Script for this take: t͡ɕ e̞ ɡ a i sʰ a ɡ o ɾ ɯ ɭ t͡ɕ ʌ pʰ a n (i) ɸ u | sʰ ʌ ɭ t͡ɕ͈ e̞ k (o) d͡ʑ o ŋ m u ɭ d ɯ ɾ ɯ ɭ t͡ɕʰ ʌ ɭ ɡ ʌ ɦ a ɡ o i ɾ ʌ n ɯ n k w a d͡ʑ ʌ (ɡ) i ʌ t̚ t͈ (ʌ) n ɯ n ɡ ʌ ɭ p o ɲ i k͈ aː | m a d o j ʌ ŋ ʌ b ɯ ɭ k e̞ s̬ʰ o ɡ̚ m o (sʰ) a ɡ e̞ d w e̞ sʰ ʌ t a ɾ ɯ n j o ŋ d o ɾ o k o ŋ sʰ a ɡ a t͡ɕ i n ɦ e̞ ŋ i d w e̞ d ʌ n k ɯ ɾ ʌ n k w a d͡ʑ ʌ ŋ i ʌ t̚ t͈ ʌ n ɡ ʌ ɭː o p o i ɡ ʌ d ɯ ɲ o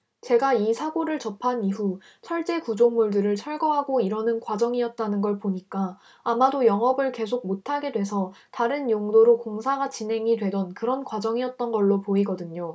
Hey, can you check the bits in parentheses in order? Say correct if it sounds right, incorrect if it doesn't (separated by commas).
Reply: correct, incorrect, incorrect, incorrect, incorrect